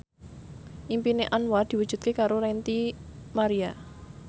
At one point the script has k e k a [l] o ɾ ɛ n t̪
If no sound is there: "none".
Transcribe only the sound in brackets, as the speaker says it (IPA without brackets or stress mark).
ɾ